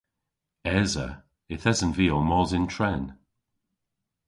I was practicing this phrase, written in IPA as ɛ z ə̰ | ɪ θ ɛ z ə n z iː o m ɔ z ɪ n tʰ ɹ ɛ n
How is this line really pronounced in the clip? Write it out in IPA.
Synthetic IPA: ɛ z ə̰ | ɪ θ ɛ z ə n v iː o m ɔ z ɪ n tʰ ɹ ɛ n